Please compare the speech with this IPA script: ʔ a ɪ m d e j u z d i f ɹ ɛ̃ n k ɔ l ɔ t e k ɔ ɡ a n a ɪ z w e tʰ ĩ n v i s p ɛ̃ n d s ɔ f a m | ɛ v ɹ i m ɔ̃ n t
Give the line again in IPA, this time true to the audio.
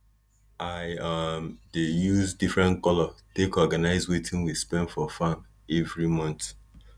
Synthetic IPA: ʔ a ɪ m d e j u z d i f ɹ ɛ̃ n k ɔ l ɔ t e k ɔ ɡ a n a ɪ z w e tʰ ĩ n w i s p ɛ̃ n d f ɔ f a m | ɛ v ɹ i m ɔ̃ n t